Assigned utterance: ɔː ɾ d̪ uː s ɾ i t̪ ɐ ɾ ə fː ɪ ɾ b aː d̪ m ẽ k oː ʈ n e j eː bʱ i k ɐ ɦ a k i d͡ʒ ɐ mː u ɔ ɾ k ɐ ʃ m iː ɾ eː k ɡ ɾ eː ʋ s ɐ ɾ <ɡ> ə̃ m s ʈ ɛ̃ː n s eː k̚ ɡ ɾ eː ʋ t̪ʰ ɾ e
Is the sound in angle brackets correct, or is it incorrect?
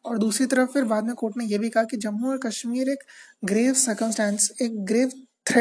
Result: incorrect